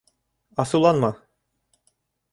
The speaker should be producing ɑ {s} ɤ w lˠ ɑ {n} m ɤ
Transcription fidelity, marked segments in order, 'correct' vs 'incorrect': correct, correct

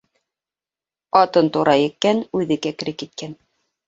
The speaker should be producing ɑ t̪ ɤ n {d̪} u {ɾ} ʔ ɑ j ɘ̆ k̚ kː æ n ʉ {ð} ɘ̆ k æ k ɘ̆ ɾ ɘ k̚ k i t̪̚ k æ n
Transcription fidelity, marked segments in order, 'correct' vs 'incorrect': incorrect: t̪, correct, correct

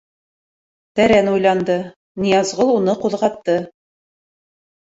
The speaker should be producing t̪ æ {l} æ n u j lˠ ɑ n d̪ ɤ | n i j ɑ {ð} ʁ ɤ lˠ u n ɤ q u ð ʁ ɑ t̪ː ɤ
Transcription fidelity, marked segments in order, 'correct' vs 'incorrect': incorrect: ɾ, incorrect: z

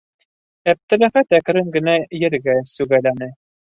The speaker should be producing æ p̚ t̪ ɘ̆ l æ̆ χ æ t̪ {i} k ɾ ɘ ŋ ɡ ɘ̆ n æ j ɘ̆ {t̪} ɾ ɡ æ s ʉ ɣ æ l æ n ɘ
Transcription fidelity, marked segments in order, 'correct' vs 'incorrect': incorrect: æ, incorrect: none

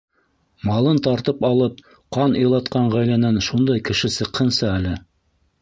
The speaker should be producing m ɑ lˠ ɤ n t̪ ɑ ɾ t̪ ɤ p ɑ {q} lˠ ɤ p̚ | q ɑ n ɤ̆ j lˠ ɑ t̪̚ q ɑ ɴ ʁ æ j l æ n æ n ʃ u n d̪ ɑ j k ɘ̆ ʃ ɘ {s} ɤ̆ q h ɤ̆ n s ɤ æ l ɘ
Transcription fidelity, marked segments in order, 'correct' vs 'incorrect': incorrect: none, correct

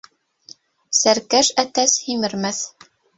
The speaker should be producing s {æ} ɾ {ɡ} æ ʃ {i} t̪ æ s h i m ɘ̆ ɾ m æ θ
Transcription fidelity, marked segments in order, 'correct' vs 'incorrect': correct, incorrect: k, incorrect: æ

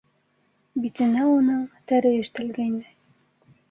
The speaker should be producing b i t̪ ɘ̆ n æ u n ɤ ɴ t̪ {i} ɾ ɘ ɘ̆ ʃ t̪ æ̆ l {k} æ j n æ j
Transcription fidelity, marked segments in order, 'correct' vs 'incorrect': incorrect: æ, incorrect: ɡ

